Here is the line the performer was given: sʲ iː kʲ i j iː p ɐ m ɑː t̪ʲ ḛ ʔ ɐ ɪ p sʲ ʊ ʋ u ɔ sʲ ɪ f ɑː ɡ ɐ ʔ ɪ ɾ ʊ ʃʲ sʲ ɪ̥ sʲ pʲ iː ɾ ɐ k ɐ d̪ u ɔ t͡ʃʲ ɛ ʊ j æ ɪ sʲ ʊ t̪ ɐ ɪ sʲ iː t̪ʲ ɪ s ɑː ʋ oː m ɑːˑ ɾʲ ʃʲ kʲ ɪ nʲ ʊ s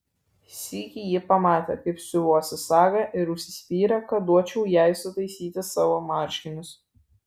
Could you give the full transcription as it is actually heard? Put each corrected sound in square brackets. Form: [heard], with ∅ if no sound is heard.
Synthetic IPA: sʲ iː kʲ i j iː p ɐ m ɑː t̪ʲ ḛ [k] ɐ ɪ p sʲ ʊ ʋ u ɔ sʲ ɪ [s] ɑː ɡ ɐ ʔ ɪ ɾ ʊ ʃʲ sʲ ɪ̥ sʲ pʲ iː ɾ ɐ k ɐ d̪ u ɔ t͡ʃʲ ɛ ʊ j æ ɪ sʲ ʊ t̪ ɐ ɪ sʲ iː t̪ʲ ɪ s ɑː ʋ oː m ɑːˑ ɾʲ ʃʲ kʲ ɪ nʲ ʊ s